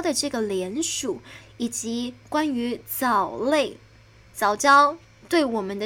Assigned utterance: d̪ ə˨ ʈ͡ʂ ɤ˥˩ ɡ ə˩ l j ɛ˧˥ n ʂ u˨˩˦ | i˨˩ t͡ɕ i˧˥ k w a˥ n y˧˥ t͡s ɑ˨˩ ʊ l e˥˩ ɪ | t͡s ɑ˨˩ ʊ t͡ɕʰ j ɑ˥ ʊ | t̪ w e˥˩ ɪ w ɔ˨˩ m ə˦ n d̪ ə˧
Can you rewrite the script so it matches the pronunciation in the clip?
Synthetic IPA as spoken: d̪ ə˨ ʈ͡ʂ ɤ˥˩ ɡ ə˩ l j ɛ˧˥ n ʂ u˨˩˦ | i˨˩ t͡ɕ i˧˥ k w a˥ n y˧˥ t͡s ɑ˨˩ ʊ l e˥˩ ɪ | t͡s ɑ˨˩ ʊ t͡ɕ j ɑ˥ ʊ | t̪ w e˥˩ ɪ w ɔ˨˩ m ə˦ n d̪ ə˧